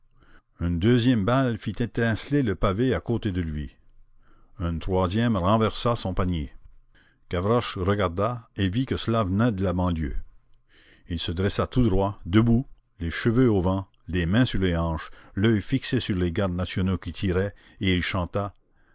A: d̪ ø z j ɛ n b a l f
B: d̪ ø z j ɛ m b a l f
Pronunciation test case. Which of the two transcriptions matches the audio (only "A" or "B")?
B